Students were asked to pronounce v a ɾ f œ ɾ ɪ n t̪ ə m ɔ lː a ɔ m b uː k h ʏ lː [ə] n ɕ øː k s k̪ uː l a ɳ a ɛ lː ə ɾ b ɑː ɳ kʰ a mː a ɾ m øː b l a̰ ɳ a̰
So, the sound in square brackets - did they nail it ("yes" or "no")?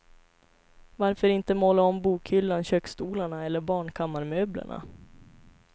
no